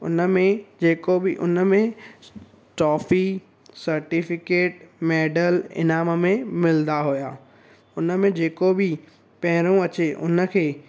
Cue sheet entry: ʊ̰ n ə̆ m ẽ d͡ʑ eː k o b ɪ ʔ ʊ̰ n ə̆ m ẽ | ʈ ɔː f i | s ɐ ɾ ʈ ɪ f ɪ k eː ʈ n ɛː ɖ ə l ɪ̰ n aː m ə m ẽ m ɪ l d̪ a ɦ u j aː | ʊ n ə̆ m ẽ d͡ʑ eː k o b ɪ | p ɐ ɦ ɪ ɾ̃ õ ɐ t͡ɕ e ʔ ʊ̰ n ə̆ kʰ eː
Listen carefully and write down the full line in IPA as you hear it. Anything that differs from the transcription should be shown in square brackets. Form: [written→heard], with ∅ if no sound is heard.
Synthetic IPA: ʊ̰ n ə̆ m ẽ d͡ʑ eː k o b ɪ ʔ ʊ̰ n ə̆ m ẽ | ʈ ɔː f i | s ɐ ɾ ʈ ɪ f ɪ k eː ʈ [n→m] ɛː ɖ ə l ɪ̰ n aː m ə m ẽ m ɪ l d̪ a ɦ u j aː | ʊ n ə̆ m ẽ d͡ʑ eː k o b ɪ | p ɐ ɦ ɪ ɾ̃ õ ɐ t͡ɕ e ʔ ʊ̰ n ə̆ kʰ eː